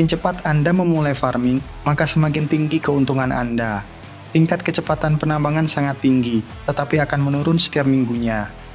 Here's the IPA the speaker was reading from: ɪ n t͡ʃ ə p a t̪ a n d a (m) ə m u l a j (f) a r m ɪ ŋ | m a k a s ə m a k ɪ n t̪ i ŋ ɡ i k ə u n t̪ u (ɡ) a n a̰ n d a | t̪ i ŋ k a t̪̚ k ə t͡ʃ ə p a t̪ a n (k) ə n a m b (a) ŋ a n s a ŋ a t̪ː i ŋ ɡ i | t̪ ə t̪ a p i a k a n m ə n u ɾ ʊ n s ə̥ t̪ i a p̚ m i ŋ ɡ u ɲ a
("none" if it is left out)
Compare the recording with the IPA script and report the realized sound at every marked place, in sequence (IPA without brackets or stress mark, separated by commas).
m, f, ŋ, p, a